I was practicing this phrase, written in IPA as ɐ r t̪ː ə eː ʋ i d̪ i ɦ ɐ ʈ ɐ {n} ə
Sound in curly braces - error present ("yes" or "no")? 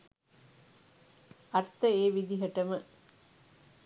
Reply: yes